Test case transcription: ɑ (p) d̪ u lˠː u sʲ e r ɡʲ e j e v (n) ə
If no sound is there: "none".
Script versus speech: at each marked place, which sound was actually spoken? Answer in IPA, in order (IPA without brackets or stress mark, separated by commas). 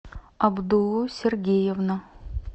b, n